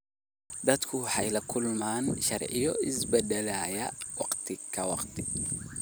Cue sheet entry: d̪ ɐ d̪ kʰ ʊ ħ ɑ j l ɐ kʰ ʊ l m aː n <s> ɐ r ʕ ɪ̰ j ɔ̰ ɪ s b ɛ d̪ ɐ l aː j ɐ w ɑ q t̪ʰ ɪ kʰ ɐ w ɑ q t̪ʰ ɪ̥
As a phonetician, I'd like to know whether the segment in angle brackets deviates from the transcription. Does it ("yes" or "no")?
yes